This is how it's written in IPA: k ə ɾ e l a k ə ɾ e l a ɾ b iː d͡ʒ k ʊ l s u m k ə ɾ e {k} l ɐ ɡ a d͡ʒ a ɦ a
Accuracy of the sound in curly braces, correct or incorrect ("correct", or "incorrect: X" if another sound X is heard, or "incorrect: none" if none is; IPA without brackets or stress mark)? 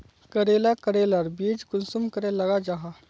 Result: incorrect: none